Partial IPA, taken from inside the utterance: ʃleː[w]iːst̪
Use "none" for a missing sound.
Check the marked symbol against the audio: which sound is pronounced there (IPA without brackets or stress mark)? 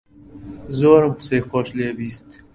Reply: b